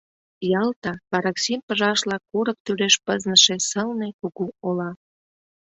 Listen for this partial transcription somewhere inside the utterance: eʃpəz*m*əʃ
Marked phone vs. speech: incorrect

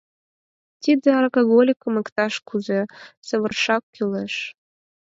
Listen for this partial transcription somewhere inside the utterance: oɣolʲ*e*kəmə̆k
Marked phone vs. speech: incorrect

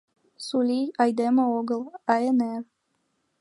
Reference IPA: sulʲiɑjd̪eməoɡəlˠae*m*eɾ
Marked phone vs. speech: incorrect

